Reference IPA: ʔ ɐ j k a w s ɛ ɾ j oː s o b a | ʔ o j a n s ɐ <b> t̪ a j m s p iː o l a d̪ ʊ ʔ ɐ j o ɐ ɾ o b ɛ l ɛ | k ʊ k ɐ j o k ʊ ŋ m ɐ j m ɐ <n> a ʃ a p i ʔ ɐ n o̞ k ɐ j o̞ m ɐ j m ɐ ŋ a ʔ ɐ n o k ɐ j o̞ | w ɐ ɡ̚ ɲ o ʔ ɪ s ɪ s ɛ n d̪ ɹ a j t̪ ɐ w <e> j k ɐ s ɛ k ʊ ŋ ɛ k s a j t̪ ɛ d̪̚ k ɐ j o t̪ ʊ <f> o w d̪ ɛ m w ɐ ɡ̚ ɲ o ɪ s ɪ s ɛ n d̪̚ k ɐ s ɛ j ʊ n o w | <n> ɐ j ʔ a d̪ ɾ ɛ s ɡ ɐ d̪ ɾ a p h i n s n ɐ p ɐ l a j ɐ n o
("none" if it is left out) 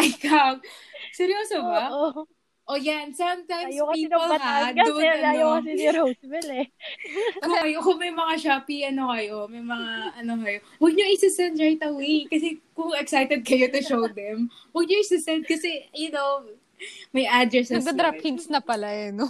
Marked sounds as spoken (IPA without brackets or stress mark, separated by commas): m, ŋ, e, ʃ, m